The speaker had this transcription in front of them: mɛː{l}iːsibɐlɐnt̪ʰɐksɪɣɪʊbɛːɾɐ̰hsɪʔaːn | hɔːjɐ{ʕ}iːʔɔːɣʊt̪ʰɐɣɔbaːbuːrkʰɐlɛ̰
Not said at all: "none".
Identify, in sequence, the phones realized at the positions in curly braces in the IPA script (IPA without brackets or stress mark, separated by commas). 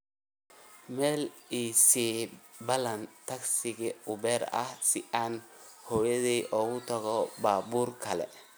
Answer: l, ð